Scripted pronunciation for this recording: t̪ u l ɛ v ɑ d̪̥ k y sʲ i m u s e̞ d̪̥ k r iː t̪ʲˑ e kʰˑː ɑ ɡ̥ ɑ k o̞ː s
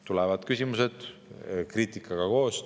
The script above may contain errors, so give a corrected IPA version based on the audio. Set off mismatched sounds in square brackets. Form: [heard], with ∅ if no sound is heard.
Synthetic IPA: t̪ u l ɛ v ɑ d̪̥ k y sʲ i m u s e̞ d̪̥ k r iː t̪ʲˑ [i] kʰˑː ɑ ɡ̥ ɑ k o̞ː s